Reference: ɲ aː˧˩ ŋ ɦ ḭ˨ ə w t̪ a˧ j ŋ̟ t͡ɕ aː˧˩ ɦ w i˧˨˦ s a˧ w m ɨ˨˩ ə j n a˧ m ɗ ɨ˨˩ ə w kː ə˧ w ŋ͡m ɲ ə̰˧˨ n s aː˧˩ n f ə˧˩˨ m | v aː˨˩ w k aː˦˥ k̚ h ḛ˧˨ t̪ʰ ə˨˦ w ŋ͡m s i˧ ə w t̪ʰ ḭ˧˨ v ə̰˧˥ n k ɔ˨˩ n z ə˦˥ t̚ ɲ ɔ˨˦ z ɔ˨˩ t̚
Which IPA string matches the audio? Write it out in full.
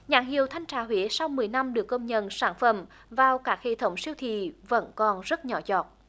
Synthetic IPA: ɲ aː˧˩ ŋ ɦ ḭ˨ ə w t̪ʰ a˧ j ŋ̟ t͡ɕ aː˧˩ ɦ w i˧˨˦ s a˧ w m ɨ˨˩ ə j n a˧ m ɗ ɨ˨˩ ə kː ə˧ w ŋ͡m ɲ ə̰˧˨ n s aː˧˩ n f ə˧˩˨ m | v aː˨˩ w k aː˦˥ k̚ h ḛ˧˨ t̪ʰ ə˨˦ w ŋ͡m s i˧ ə w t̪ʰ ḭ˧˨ v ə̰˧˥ n k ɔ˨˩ n z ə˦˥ t̚ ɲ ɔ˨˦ z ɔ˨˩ t̚